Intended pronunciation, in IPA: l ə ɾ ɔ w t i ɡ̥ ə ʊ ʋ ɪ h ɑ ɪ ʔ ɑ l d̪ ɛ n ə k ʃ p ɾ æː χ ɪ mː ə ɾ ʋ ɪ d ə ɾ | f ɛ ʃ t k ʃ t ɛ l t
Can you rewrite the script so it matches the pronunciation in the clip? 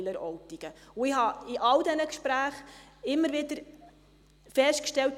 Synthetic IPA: l ə ɾ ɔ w t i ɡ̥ ə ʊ ɪ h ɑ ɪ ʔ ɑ l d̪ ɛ n ə k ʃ p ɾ æː χ ɪ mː ə ɾ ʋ ɪ d ə ɾ | f ɛ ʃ t k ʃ t ɛ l t